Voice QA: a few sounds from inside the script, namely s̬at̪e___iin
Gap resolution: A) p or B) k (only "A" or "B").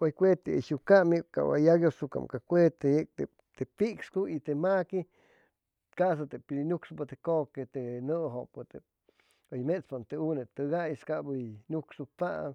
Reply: A